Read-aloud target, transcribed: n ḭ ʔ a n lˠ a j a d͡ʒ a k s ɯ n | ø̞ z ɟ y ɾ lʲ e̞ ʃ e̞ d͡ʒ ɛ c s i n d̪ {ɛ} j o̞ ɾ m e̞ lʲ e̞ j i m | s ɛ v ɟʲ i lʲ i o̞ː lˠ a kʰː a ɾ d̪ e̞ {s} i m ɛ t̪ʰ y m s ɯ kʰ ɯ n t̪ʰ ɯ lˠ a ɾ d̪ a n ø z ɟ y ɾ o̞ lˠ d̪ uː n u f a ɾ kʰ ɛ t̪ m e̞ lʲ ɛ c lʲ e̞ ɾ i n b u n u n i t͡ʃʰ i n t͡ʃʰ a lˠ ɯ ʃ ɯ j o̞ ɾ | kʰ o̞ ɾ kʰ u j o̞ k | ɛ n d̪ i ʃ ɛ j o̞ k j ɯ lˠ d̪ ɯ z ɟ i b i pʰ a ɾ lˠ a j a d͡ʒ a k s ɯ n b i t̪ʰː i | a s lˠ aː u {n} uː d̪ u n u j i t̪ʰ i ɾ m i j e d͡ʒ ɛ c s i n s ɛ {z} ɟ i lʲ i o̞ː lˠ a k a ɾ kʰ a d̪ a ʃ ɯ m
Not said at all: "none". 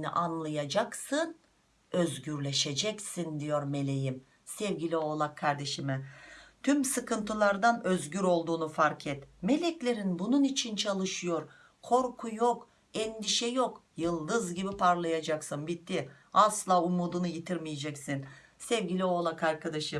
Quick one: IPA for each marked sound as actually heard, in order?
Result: i, ʃ, m, v

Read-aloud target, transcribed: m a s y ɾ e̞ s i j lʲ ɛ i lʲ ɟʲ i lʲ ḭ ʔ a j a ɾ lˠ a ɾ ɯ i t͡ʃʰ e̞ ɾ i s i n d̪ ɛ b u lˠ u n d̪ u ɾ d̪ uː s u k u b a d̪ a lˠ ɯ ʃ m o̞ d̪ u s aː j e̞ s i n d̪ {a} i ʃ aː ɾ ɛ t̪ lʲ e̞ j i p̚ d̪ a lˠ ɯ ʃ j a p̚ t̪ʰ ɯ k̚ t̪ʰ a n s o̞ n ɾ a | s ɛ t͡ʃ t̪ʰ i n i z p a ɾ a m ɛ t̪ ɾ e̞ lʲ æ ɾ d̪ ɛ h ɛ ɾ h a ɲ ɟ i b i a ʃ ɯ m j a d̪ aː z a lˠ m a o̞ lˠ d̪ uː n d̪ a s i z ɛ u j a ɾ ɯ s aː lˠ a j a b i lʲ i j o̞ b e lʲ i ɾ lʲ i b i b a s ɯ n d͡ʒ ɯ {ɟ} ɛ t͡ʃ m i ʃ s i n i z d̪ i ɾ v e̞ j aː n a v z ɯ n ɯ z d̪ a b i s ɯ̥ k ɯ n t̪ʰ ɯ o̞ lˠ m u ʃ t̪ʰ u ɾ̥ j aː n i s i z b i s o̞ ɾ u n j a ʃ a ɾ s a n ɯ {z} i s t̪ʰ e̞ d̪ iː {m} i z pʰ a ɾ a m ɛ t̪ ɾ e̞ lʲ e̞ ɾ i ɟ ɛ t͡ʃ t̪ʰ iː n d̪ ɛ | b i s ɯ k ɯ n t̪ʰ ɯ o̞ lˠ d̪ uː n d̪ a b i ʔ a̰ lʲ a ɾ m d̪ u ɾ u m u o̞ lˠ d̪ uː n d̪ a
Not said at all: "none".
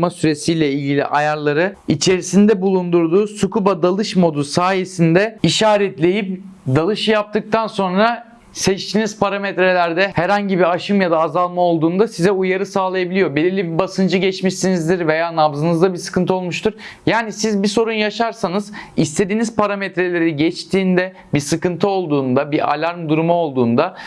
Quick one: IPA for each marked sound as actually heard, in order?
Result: ɛ, ɟ, z, n

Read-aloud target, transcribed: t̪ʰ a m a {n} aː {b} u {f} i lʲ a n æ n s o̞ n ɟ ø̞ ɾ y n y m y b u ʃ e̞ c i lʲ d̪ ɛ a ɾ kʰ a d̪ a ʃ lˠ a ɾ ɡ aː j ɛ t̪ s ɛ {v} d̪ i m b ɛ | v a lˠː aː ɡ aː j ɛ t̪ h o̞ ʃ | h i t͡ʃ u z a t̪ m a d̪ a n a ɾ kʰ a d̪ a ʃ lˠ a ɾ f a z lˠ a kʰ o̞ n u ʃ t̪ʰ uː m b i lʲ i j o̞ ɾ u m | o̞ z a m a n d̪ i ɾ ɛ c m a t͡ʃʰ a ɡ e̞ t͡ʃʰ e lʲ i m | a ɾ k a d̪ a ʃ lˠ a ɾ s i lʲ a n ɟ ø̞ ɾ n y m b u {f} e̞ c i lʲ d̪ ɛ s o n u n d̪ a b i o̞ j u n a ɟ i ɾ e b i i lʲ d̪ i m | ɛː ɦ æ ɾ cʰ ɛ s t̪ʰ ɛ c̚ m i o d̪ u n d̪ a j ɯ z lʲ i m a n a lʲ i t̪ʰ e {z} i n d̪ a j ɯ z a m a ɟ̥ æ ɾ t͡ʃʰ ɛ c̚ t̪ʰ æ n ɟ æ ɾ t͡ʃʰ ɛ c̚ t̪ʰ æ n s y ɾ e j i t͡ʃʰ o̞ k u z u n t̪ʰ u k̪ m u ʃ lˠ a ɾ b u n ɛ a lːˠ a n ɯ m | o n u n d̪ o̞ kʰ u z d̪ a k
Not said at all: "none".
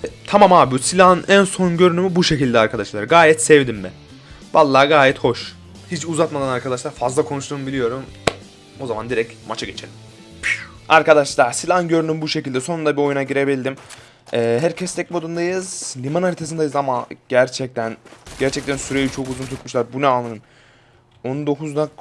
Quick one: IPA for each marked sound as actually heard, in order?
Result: m, b, s, v, ʃ, s

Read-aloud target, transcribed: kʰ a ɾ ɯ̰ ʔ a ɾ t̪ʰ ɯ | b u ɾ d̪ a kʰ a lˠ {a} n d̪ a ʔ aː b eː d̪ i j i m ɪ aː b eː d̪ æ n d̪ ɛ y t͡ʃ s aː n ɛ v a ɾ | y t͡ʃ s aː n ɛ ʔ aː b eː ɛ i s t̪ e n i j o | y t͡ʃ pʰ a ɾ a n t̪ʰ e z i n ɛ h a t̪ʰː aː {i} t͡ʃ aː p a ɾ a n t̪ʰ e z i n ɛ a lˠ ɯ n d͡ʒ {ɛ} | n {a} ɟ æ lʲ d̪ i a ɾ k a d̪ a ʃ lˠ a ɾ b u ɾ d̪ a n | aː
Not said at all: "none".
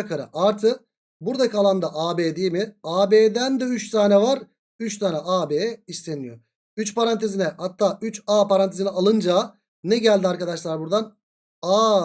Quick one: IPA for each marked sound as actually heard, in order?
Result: a, y, a, ɛ

